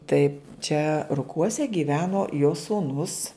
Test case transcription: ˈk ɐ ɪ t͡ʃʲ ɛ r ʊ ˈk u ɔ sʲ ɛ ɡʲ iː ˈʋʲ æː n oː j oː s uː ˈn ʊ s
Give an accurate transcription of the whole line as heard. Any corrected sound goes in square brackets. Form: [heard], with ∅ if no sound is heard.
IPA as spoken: [ˈt] ɐ ɪ t͡ʃʲ ɛ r ʊ ˈk u ɔ sʲ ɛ ɡʲ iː ˈʋʲ æː n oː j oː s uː ˈn ʊ s